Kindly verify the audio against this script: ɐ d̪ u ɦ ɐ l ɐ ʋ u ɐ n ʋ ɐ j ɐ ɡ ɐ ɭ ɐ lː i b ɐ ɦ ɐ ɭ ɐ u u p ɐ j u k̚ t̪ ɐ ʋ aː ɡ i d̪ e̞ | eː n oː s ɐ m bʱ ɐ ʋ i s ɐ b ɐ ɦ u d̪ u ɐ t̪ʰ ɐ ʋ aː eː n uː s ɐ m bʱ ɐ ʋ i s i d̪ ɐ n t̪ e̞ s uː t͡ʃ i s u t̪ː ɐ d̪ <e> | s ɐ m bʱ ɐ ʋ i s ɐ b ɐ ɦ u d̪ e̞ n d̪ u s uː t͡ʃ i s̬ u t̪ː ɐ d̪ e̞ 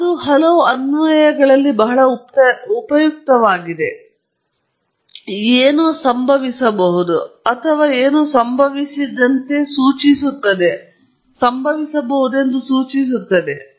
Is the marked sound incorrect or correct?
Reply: correct